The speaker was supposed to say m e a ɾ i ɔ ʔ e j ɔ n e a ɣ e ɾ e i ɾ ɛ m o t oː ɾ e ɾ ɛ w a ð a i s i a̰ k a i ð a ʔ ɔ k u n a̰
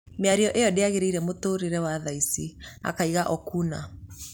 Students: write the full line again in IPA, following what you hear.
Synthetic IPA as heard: m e a ɾ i ɔ ʔ e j ɔ d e a ɣ e ɾ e i ɾ ɛ m o t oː ɾ e ɾ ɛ w a ð a i s i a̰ k a i ɣ a ʔ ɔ k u n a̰